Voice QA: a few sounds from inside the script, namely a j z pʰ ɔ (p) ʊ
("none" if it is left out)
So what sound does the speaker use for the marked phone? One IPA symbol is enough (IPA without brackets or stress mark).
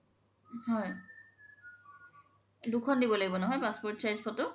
t